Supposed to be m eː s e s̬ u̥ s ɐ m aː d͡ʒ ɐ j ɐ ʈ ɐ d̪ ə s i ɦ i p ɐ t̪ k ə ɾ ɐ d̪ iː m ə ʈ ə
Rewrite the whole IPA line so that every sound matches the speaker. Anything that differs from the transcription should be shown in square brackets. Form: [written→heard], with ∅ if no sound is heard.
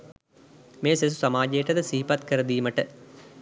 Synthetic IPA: m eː s e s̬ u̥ s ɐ m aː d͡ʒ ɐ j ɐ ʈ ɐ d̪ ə s i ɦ i p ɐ t̪ k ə ɾ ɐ d̪ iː m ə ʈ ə